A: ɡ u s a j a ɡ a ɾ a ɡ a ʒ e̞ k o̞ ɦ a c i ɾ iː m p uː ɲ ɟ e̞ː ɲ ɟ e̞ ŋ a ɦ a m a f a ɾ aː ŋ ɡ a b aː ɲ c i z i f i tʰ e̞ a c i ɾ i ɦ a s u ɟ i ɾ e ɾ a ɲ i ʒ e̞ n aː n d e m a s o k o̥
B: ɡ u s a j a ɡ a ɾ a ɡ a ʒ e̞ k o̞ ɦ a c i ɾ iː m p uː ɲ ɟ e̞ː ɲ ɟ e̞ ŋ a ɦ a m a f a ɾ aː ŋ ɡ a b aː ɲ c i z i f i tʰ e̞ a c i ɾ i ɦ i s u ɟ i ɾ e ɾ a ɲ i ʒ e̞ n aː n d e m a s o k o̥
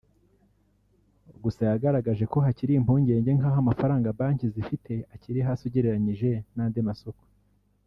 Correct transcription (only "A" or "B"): A